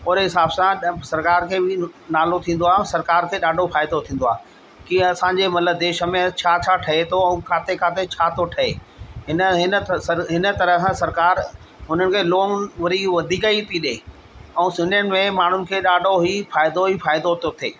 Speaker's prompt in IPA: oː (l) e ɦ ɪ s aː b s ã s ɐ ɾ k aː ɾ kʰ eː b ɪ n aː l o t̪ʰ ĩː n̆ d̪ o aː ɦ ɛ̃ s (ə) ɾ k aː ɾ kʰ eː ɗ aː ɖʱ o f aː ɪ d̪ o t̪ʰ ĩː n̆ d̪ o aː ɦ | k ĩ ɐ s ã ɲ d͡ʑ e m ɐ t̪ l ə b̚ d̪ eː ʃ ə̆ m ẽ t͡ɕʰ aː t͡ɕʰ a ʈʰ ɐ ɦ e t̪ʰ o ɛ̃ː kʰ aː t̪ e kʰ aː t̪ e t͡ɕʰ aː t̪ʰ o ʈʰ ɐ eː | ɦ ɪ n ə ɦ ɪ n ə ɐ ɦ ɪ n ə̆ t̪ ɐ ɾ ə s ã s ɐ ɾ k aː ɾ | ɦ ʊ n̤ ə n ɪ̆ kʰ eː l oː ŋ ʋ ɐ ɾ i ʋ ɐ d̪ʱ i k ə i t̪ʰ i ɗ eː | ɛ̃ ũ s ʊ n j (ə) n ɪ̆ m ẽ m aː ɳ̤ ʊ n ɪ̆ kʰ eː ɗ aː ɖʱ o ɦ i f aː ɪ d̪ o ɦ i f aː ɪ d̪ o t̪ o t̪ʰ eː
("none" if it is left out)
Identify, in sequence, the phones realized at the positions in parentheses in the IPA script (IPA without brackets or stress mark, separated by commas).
ɾ, ɐ, ə